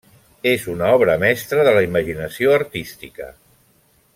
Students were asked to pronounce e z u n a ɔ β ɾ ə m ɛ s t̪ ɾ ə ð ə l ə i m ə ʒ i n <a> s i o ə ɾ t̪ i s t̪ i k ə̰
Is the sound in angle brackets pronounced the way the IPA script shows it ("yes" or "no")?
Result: no